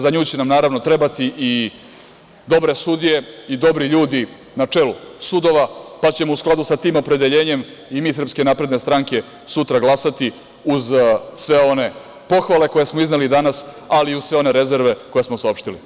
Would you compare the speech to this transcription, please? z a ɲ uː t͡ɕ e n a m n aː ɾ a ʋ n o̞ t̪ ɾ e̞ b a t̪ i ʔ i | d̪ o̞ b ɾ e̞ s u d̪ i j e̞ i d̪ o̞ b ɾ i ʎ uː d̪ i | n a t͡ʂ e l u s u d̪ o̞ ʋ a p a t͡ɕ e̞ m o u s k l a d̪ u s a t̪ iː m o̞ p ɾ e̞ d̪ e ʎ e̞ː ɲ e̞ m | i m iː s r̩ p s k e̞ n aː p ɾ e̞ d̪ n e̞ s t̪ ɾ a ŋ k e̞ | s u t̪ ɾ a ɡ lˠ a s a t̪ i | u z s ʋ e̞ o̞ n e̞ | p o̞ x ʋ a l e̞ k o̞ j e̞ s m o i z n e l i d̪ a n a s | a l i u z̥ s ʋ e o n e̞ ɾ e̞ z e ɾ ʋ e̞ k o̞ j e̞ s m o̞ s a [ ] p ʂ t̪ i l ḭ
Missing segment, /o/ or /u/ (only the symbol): o